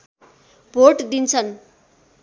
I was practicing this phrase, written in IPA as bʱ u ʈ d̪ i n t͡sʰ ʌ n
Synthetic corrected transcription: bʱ o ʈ d̪ i n t͡sʰ ʌ n